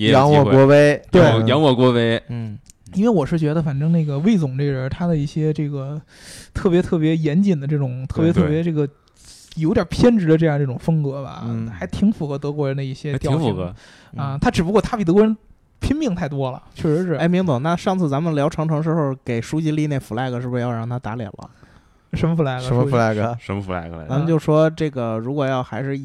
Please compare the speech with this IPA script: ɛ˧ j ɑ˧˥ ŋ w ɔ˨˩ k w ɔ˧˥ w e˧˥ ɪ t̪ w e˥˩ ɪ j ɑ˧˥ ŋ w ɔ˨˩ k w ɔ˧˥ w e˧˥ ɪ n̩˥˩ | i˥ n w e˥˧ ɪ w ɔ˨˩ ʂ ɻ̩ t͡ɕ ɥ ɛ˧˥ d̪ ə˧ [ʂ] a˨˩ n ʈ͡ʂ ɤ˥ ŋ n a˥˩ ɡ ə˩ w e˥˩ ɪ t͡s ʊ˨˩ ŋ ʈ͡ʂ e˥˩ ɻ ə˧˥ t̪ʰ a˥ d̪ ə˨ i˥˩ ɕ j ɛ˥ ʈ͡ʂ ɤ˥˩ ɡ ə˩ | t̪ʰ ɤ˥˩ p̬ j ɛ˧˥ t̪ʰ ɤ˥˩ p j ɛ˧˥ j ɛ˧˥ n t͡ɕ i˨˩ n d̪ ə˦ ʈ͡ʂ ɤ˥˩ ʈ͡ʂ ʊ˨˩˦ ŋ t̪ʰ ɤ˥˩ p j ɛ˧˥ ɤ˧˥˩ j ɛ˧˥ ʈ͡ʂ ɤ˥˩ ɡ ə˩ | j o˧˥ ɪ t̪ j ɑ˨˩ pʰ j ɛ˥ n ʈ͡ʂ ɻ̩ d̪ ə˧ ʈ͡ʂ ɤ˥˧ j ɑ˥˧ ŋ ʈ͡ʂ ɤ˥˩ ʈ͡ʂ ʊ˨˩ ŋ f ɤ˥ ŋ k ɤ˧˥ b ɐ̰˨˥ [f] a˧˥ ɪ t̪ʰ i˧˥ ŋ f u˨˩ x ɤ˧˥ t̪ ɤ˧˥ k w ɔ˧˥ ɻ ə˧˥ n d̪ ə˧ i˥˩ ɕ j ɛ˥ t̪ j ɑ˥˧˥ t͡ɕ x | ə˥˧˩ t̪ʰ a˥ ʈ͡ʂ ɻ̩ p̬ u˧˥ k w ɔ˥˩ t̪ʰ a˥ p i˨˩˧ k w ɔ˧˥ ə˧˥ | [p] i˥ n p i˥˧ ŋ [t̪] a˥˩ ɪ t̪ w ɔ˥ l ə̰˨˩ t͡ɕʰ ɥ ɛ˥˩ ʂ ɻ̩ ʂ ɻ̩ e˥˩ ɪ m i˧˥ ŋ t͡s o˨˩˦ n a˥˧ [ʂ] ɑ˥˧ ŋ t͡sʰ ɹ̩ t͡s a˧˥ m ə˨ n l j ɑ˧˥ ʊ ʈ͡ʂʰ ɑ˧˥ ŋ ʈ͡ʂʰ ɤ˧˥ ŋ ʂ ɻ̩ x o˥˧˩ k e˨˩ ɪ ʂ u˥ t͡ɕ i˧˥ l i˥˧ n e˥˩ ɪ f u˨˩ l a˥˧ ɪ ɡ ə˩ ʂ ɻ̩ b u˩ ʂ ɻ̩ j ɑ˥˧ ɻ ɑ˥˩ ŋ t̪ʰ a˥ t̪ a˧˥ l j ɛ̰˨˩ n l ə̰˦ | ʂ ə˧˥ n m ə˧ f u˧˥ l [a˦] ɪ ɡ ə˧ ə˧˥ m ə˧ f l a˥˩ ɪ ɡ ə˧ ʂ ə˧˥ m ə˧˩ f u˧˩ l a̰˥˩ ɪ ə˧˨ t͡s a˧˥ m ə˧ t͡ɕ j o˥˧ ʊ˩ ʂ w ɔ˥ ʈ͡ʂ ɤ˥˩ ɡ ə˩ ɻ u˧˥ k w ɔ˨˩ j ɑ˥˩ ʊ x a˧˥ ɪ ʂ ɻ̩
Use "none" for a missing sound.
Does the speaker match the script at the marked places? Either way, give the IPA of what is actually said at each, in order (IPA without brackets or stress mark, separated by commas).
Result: f, x, pʰ, t̪ʰ, ʂ, a˥˩